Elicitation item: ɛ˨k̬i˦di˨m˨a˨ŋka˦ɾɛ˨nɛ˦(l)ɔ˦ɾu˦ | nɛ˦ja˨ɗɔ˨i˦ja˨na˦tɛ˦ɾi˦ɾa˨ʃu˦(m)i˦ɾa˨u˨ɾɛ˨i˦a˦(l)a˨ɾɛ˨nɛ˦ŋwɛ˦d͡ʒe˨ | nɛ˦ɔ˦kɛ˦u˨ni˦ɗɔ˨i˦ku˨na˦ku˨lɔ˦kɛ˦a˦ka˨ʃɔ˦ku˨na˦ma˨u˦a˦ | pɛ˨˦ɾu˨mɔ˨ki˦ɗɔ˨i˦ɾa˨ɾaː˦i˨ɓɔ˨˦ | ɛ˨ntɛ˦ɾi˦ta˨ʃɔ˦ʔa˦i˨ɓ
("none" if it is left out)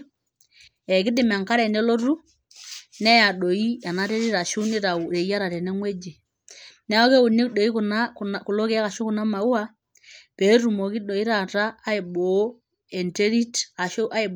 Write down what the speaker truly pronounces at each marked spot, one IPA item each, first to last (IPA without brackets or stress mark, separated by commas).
l, n, ɾ